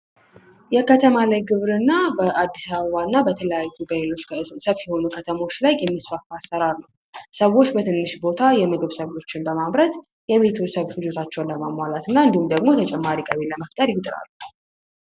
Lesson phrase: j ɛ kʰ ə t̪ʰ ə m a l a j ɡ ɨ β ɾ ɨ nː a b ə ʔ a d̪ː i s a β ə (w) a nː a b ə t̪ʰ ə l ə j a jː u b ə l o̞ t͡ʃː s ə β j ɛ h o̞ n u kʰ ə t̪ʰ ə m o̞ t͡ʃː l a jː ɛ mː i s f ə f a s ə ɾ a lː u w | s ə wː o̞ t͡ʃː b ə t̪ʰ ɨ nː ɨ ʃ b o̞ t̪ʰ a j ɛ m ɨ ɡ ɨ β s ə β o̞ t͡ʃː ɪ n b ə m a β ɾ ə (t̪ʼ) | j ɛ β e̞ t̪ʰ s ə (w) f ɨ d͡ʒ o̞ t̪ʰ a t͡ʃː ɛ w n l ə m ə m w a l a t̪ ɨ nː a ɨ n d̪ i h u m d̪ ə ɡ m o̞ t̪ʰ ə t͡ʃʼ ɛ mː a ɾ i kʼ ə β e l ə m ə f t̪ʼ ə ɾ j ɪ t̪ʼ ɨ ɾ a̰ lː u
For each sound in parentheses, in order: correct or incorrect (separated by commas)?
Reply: incorrect, incorrect, incorrect